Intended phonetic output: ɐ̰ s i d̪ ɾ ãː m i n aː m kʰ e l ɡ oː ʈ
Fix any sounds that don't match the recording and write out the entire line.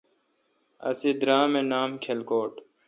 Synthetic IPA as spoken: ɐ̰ s i d̪ ɾ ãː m e n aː m kʰ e l k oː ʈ